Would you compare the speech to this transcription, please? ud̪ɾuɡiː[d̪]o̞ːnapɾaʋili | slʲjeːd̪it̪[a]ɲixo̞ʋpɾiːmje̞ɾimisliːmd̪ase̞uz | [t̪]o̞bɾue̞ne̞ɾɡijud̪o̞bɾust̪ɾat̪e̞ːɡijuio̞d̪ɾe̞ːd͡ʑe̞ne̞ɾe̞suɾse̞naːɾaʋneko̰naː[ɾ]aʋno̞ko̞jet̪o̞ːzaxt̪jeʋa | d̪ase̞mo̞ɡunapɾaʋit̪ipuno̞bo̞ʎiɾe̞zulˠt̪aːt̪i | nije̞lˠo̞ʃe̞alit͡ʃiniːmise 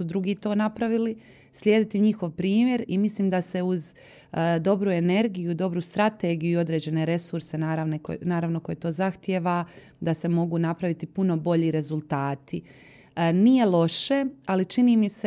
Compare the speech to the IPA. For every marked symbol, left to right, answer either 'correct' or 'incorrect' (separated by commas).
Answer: incorrect, incorrect, incorrect, correct